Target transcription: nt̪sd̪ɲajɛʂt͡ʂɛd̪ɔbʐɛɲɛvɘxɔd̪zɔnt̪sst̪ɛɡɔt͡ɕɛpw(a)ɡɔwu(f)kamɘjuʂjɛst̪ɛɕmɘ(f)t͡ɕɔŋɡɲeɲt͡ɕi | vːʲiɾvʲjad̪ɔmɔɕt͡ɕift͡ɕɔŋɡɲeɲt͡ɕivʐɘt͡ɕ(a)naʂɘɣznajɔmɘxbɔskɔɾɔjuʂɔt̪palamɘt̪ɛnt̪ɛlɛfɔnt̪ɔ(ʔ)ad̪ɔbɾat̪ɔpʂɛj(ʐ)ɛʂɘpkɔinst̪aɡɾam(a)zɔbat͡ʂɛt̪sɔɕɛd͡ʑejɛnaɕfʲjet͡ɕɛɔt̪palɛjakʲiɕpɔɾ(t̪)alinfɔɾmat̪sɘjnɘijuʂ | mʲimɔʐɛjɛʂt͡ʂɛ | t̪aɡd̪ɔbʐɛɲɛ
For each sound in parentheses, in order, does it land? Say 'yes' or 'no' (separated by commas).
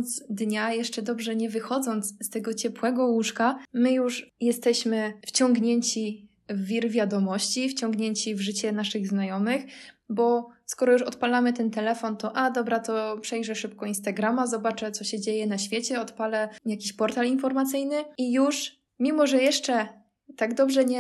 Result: no, no, yes, no, yes, yes, yes, yes